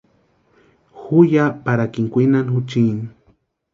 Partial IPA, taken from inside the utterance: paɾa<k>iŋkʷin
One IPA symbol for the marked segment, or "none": k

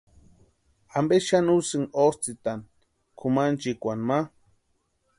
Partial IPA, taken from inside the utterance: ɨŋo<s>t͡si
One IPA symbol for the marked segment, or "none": s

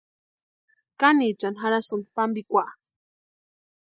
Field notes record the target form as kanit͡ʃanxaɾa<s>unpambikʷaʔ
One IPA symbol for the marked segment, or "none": s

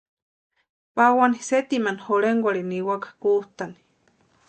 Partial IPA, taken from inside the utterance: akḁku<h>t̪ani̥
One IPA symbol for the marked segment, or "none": h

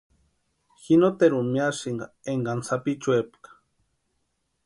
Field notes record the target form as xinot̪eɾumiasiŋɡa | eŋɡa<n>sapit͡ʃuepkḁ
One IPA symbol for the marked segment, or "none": n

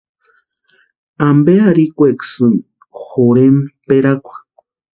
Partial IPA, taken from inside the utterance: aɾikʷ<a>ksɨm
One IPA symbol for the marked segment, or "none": e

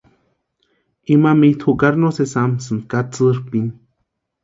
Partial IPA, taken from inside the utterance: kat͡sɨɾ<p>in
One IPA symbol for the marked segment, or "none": p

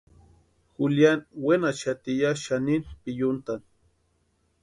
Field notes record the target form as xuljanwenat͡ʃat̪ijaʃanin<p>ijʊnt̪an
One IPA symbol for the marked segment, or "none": p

